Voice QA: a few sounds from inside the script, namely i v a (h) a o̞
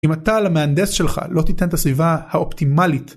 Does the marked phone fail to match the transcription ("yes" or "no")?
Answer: no